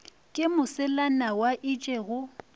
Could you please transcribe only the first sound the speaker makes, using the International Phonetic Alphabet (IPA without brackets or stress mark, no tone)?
kʼ